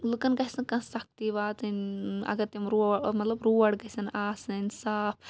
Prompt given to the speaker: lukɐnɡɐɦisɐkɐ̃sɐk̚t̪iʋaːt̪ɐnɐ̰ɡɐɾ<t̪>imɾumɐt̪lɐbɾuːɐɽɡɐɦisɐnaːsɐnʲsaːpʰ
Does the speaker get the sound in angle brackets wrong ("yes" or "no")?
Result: no